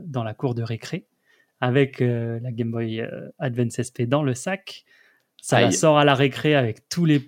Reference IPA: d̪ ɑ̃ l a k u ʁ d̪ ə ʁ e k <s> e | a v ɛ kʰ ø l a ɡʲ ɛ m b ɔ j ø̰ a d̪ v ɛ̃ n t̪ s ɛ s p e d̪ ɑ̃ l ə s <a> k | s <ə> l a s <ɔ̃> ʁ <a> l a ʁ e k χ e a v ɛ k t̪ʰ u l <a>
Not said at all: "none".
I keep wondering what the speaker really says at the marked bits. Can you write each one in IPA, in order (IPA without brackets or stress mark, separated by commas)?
χ, a, a, ɔ, a, e